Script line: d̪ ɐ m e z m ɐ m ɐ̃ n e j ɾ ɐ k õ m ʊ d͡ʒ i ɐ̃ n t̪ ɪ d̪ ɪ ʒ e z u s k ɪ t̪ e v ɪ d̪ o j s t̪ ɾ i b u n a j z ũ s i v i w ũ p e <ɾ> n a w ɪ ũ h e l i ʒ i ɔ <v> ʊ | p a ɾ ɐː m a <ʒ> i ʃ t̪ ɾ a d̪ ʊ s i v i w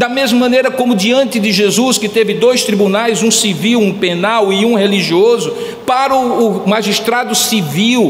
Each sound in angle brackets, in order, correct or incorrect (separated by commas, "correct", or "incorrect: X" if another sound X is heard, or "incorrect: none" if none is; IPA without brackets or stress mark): incorrect: none, incorrect: z, correct